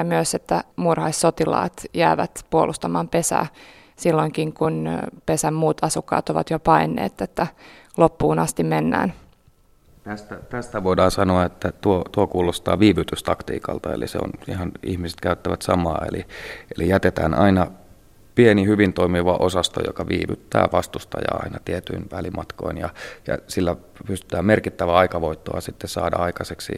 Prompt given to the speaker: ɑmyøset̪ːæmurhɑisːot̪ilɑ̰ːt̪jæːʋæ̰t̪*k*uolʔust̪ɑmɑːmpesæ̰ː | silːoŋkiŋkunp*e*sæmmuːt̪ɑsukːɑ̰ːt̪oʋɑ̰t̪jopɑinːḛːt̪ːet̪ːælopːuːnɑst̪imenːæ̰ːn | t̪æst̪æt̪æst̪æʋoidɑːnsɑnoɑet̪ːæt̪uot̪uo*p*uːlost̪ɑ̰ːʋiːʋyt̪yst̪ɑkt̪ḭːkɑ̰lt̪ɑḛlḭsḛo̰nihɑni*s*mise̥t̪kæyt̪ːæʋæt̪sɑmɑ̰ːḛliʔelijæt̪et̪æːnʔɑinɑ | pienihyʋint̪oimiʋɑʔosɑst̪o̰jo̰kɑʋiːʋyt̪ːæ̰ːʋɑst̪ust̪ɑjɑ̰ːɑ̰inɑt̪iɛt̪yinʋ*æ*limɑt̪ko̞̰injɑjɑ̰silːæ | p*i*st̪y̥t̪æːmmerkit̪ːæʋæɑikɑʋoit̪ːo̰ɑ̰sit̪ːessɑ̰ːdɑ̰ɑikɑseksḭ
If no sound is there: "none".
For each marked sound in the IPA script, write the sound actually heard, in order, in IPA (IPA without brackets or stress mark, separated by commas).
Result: p, e, k, h, æ, y